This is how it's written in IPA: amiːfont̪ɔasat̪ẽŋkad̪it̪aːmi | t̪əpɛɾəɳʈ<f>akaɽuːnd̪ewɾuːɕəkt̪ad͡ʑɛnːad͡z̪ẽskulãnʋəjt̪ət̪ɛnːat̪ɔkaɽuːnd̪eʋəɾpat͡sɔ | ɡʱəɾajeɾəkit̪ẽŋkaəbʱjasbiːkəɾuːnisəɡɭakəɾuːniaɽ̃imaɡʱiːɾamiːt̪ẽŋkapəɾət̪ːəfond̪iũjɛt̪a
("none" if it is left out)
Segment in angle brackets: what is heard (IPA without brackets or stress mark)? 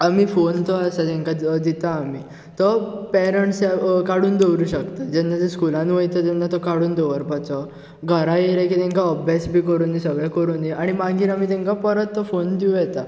s